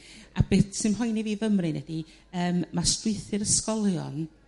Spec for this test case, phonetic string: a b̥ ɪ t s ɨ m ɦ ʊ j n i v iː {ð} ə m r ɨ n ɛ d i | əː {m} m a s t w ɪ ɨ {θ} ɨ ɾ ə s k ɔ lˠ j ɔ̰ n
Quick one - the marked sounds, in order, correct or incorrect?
incorrect, correct, correct

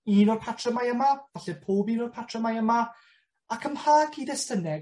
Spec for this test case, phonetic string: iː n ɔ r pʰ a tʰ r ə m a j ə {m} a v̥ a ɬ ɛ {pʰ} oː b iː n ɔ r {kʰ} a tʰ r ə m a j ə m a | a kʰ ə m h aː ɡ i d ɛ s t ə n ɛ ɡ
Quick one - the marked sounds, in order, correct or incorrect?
correct, correct, incorrect

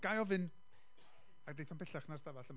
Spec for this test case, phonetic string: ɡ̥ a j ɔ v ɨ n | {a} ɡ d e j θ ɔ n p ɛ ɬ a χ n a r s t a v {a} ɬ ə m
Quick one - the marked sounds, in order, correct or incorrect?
correct, correct

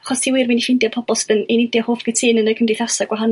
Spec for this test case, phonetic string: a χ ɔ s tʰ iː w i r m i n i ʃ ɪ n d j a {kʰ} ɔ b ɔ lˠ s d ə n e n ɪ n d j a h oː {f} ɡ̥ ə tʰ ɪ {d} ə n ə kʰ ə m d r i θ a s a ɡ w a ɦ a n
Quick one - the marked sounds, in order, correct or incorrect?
incorrect, correct, incorrect

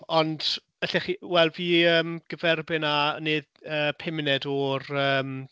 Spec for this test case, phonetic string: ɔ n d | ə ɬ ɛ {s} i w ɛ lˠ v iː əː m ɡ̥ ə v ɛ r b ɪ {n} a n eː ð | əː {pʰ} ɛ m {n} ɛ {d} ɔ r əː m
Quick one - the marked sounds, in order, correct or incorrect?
incorrect, correct, correct, correct, correct

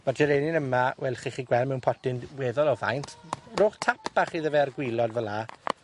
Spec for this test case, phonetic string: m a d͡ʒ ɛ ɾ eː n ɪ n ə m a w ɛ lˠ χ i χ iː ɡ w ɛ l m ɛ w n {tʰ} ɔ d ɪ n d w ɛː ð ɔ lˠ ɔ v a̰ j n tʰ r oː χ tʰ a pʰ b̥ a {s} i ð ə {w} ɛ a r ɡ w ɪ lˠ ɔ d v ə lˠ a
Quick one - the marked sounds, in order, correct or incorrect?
incorrect, incorrect, incorrect

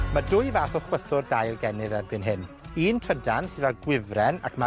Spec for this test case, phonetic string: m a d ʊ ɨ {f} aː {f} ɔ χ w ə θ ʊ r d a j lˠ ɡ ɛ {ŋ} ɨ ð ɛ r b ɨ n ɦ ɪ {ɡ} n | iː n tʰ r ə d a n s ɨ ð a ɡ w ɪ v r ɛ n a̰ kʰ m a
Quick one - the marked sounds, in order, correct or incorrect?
incorrect, incorrect, incorrect, incorrect

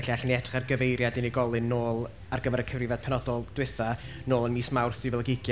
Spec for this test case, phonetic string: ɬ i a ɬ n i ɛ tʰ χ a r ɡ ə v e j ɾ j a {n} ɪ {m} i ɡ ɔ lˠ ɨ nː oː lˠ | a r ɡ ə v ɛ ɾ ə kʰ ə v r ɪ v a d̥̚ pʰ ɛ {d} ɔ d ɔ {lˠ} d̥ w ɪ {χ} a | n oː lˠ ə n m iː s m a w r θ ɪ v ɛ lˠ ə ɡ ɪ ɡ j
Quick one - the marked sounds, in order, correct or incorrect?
incorrect, incorrect, incorrect, correct, incorrect

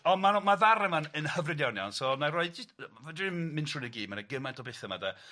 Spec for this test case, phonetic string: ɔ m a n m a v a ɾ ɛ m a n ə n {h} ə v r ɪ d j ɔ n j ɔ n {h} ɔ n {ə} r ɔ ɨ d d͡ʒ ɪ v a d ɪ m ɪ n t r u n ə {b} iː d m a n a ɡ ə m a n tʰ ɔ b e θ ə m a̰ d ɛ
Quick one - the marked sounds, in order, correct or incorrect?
correct, incorrect, incorrect, incorrect

